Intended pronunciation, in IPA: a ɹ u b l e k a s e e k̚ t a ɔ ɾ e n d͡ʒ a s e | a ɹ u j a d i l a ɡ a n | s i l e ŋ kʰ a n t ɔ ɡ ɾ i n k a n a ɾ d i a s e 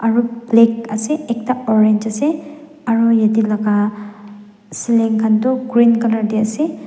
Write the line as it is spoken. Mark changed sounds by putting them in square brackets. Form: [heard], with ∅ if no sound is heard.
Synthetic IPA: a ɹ u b l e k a s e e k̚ t a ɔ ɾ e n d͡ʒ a s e | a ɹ u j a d i l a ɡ a [∅] | s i l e ŋ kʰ a n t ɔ ɡ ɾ i n k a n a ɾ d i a s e